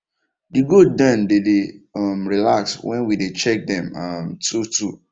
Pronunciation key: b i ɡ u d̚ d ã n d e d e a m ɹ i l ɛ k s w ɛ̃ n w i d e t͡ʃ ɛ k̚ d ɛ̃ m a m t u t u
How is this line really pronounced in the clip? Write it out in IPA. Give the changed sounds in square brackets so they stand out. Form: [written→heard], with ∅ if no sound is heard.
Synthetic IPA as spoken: [b→d] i ɡ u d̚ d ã n d e d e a m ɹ i l [ɛ→a] k s w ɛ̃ n w i d e t͡ʃ ɛ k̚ d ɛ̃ m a m t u t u